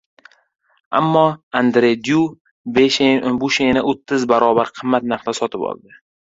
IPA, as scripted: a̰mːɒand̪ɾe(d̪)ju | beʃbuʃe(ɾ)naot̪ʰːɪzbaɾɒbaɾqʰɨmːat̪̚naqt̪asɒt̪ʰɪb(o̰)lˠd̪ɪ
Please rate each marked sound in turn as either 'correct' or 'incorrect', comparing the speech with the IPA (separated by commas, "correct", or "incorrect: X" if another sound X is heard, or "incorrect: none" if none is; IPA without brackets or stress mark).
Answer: correct, incorrect: none, incorrect: ɒ̰